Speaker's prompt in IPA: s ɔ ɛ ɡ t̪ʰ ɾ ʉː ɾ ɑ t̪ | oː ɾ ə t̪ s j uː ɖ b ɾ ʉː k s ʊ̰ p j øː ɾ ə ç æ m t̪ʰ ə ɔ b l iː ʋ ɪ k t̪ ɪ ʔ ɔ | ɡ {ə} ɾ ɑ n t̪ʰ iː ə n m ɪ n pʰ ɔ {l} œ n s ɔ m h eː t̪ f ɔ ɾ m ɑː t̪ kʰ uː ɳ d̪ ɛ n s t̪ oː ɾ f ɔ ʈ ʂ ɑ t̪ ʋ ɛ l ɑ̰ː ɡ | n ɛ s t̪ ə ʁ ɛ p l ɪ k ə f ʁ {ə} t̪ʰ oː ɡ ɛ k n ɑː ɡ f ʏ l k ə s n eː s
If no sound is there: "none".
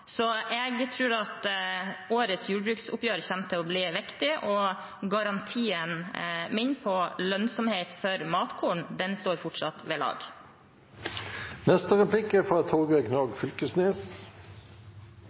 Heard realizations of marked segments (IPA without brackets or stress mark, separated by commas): ɑ, l, ɑ